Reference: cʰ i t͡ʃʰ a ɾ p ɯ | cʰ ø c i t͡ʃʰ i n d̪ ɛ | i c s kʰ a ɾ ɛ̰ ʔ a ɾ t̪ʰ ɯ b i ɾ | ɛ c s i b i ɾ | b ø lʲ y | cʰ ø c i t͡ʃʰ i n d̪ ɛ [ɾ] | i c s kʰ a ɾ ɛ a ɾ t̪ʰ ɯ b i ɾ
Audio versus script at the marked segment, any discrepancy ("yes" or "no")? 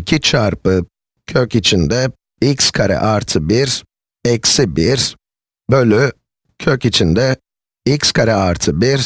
yes